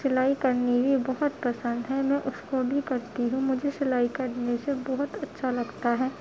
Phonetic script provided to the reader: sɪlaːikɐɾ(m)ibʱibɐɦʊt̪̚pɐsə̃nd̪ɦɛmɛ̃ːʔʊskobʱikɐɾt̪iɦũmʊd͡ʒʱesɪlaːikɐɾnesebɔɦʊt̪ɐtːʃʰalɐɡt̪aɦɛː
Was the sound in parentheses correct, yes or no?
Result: no